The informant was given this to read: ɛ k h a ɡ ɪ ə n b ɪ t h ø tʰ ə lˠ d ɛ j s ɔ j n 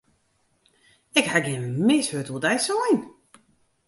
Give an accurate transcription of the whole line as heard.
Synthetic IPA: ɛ k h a ɡ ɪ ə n m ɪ s h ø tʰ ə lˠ d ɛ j s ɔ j n

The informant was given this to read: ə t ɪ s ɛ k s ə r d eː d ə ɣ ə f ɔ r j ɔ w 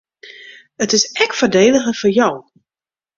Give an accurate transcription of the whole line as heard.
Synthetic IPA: ə t ɪ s ɛ k f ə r d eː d ə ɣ ə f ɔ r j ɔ w

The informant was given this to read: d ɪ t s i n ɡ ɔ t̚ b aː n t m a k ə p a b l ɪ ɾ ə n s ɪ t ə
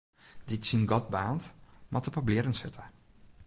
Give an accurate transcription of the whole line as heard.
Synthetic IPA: d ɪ t s i n ɡ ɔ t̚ b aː n t m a t ə p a b l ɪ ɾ ə n s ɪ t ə

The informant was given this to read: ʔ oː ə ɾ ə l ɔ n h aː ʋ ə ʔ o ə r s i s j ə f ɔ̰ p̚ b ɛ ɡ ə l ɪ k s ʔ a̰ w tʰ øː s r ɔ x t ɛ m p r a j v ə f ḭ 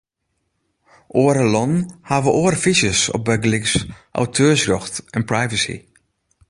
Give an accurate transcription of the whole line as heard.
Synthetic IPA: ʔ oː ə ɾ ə l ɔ n h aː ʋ ə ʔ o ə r f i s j ə s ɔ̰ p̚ b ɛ ɡ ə l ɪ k s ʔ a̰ w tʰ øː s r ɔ x t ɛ n p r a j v ə s ḭ

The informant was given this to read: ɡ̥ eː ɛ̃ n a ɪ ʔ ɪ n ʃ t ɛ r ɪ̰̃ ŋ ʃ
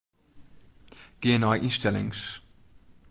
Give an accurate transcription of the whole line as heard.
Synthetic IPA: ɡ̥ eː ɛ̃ n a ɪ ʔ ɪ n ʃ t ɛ l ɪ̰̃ ŋ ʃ

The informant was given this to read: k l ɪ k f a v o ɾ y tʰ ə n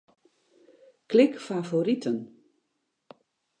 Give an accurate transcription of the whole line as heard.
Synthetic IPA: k l ɪ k f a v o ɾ i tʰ ə n

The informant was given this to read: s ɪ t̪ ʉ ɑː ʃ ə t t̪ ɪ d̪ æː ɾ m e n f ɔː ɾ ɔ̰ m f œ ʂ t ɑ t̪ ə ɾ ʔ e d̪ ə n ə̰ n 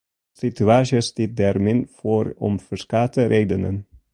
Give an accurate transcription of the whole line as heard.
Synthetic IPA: s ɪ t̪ ʉ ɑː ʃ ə s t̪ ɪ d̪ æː ɾ m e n f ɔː ɾ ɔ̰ m f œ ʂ k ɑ t̪ ə ɾ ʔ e d̪ ə n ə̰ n

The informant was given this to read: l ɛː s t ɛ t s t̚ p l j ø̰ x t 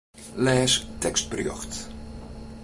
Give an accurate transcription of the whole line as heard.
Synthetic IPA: l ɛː s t ɛ k s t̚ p r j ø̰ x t

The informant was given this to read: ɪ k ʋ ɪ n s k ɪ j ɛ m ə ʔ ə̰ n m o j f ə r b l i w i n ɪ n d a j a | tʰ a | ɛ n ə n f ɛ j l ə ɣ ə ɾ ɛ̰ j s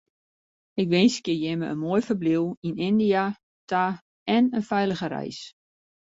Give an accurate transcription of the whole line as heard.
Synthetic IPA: ɪ k ʋ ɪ n s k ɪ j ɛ m ə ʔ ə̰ n m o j f ə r b l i w i n ɪ n d i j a | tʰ a | ɛ n ə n f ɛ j l ə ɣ ə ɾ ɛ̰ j s

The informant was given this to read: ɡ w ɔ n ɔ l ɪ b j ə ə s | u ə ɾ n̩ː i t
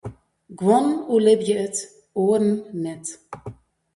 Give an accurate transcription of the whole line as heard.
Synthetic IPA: ɡ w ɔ n u l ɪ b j ə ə t | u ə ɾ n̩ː ɛ t

